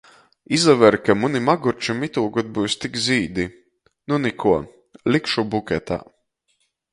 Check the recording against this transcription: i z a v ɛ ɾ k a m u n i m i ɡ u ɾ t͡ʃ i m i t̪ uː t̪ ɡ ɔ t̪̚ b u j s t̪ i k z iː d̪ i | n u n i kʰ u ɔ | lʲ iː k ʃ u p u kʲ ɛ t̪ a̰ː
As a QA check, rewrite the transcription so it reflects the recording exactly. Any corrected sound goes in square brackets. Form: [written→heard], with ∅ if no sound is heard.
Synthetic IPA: i z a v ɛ ɾ k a m u n i m [i→a] ɡ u ɾ t͡ʃ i m i t̪ uː [t̪→∅] ɡ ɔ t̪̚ b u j s t̪ i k z iː d̪ i | n u n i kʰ u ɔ | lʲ [iː→i] k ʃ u [p→b] u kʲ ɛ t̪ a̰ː

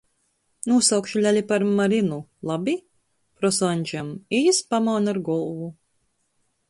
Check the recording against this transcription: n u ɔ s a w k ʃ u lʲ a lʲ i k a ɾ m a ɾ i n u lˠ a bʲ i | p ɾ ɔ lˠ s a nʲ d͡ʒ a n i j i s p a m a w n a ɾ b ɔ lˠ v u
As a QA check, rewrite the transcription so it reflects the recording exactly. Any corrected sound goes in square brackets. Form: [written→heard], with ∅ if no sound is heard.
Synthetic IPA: n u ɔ s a w k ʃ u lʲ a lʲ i [k→p] a ɾ m a ɾ i n u lˠ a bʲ i | p ɾ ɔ [lˠ→∅] s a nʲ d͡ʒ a [n→m] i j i s p a m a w n a ɾ [b→ɡ] ɔ lˠ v u

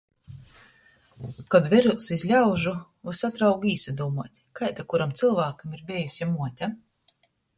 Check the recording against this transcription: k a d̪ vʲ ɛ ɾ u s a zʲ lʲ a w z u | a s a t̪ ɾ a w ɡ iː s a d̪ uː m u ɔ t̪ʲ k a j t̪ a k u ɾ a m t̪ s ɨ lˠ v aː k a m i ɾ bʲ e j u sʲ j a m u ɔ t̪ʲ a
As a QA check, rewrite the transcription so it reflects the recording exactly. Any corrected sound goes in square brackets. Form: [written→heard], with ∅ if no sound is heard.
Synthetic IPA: k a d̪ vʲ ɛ ɾ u s [a→i] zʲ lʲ a w [z→ʒ] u | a s a t̪ ɾ a w ɡ iː s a d̪ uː m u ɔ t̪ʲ k a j t̪ a k u ɾ a m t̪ s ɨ lˠ v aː k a m i ɾ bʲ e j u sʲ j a m u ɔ t̪ʲ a

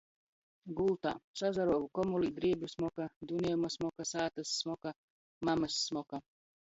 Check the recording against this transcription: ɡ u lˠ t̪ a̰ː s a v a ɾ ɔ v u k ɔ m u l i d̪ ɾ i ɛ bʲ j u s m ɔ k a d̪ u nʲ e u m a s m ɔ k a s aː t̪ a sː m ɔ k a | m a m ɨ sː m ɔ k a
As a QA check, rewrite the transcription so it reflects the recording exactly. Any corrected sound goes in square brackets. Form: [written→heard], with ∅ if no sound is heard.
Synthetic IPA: ɡ u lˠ t̪ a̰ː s a [v→z] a ɾ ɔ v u k ɔ m u l i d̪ ɾ i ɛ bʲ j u s m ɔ k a d̪ u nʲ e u m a s m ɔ k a s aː t̪ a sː m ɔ k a | m a m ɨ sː m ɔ k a

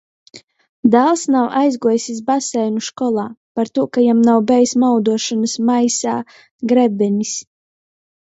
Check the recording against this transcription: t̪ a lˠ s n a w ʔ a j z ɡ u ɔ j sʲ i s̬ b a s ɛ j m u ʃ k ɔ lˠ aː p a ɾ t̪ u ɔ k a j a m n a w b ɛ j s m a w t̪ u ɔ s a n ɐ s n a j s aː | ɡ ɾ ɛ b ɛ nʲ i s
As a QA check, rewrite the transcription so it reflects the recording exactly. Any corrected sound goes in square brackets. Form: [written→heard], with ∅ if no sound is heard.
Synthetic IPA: [t̪→d̪] a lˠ s n a w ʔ a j z ɡ u ɔ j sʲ i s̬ b a s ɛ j [m→n] u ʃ k ɔ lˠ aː p a ɾ t̪ u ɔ k a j a m n a w b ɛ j s m a w [t̪→d̪] u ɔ [s→ʃ] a n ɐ s [n→m] a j s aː | ɡ ɾ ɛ b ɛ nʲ i s

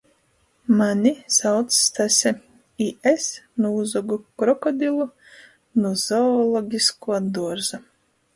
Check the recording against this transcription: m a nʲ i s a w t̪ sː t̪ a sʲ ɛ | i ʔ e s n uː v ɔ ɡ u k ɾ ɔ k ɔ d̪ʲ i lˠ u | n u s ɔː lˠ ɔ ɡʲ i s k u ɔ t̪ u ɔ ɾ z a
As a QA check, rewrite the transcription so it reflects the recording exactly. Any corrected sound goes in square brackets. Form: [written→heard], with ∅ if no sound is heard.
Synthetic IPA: m a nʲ i s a w t̪ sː t̪ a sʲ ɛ | i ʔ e s n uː [v→z] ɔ ɡ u k ɾ ɔ k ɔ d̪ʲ i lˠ u | n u [s→z] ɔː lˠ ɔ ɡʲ i s k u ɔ [t̪→d̪] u ɔ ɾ z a

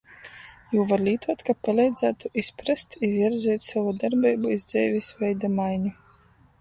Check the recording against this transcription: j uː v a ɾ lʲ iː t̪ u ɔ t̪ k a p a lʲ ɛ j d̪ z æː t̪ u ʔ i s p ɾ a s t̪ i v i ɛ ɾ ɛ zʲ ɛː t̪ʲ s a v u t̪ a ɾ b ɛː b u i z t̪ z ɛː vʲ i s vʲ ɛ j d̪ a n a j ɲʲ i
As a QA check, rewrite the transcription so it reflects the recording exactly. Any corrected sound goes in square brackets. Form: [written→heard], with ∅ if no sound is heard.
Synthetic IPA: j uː v a ɾ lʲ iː t̪ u ɔ t̪ k a p a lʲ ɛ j d̪ z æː t̪ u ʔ i s p ɾ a s t̪ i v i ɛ ɾ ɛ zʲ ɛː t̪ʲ s a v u [t̪→d̪] a ɾ b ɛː b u i z [t̪→d̪] z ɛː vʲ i s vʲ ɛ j d̪ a [n→m] a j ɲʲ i

